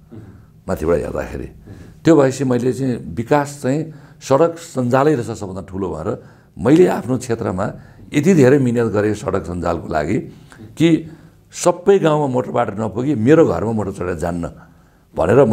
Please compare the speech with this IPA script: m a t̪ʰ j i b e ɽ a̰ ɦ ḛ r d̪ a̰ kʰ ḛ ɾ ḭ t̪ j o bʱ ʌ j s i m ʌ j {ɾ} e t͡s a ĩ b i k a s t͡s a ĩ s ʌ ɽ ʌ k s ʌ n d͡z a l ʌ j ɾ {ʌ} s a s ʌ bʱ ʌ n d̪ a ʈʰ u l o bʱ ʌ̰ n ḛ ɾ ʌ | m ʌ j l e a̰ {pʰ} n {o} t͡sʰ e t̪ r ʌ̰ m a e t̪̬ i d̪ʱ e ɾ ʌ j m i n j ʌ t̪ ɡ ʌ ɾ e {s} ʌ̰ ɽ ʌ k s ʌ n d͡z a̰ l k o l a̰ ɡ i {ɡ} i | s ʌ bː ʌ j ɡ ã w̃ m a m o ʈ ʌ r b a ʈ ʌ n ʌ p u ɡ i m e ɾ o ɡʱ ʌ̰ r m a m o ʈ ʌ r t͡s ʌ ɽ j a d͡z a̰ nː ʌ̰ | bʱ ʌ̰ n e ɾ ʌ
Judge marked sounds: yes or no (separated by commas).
no, yes, yes, yes, yes, no